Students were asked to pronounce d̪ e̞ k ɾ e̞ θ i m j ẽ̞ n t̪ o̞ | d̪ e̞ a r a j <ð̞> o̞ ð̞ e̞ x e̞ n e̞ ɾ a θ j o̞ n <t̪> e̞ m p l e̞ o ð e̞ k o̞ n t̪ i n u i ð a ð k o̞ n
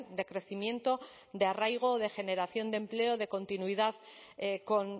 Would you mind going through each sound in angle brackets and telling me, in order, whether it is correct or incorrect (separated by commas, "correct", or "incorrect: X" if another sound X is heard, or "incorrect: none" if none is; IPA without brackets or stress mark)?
incorrect: ɣ̞, incorrect: d̪